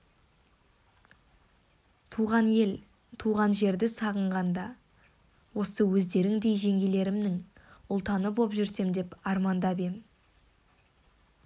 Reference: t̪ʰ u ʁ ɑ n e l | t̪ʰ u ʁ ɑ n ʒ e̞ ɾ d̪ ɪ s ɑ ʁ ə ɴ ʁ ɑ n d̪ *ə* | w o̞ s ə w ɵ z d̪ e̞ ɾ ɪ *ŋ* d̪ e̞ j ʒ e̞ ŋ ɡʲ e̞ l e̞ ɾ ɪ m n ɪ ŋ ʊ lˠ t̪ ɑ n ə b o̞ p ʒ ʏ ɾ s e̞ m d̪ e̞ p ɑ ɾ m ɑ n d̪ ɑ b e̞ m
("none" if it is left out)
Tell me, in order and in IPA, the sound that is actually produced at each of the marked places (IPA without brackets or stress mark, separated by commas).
ɑ, ŋ